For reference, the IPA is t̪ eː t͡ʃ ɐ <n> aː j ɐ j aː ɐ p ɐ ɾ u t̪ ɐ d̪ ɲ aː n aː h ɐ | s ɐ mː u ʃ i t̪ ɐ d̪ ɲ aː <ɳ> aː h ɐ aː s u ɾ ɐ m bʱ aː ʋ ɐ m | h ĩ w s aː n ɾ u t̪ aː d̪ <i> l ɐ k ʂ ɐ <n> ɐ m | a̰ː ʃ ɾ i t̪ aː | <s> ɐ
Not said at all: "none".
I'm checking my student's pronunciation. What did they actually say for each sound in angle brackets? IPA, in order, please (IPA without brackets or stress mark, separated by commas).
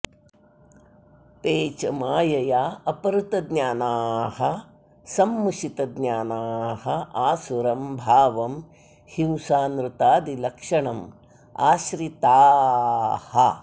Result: m, n, i, ɳ, h